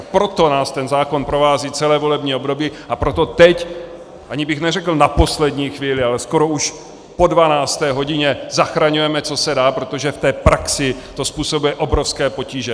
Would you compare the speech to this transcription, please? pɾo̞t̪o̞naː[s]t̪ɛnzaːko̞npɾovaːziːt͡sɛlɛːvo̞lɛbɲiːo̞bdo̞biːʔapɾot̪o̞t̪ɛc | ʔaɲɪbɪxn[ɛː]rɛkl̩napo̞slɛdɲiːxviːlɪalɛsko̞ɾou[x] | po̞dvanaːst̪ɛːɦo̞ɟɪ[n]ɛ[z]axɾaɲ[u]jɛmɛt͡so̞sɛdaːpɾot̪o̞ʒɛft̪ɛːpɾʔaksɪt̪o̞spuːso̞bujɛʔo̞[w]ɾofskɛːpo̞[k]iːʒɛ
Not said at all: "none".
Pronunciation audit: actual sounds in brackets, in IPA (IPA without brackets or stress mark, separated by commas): s, ɛ, ʃ, ɲ, z, u, b, c